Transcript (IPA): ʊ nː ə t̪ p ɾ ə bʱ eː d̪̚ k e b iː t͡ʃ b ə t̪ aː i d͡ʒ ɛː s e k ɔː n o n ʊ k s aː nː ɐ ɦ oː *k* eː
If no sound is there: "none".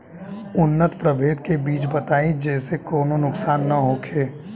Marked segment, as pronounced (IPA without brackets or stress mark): kʰ